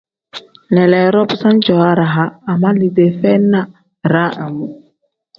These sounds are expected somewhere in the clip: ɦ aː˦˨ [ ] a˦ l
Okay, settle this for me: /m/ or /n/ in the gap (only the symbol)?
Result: m